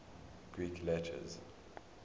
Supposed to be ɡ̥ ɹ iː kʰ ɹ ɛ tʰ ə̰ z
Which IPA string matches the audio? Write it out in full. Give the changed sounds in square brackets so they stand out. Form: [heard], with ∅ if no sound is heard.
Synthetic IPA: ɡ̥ ɹ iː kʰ [l] ɛ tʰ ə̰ z